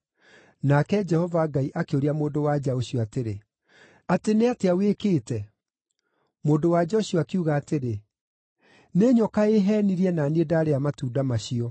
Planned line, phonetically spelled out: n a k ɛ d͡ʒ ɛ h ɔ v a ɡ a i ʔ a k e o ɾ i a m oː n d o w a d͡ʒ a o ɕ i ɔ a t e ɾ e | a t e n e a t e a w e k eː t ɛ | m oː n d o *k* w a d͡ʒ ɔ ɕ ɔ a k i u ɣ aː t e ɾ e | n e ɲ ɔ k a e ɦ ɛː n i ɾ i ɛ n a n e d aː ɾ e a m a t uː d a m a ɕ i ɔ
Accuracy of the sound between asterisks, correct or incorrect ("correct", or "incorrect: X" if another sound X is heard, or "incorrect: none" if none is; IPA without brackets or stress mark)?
incorrect: none